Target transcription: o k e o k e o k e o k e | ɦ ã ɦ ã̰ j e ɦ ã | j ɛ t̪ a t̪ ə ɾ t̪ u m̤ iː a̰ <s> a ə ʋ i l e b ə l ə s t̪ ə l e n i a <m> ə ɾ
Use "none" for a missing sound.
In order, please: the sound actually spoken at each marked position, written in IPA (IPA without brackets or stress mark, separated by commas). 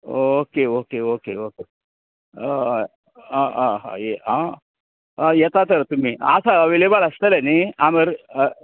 s, m